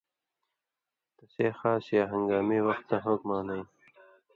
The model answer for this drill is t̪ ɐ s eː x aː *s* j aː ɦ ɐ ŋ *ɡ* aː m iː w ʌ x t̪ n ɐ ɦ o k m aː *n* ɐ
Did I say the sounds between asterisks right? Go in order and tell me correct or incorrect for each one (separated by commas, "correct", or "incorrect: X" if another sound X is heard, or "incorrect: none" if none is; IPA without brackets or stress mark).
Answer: correct, correct, correct